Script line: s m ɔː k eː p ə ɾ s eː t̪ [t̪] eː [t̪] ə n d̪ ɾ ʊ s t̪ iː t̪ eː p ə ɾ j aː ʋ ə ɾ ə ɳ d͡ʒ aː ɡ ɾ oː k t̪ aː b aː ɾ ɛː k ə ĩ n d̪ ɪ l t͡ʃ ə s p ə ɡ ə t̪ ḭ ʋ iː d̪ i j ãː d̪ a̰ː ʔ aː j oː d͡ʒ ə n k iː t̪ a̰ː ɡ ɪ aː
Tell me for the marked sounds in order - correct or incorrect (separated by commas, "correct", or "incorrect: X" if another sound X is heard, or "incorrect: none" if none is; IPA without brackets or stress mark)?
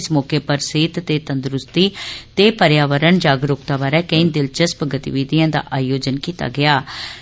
correct, correct